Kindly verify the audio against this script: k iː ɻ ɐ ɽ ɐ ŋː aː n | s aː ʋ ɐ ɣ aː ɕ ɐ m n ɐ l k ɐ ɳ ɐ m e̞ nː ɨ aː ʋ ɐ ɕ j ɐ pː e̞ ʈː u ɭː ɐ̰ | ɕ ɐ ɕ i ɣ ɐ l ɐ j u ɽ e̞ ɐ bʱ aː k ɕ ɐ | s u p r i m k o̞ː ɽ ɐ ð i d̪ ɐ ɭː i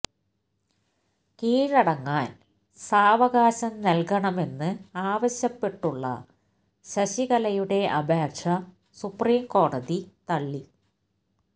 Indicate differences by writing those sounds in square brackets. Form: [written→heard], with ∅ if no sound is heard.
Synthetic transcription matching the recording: k iː ɻ ɐ ɽ ɐ ŋː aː n | s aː ʋ ɐ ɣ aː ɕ ɐ m n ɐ l k ɐ ɳ ɐ m e̞ nː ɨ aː ʋ ɐ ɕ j ɐ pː e̞ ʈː u ɭː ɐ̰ | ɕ ɐ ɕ i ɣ ɐ l ɐ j u ɽ e̞ ɐ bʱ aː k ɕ ɐ | s u p r [i→iː] m k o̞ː ɽ ɐ ð i [d̪→t̪] ɐ ɭː i